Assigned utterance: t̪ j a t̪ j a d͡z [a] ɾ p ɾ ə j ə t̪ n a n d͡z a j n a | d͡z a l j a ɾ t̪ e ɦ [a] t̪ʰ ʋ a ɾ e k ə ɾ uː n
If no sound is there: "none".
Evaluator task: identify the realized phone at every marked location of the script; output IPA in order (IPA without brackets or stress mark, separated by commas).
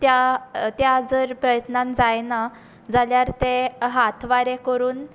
ə, a